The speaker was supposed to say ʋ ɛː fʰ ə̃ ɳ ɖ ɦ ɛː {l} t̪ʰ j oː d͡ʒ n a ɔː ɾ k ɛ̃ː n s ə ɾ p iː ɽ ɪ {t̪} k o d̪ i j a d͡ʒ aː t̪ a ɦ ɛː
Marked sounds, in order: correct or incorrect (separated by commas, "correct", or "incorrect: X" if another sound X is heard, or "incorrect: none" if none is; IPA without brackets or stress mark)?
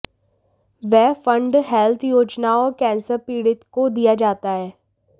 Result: correct, correct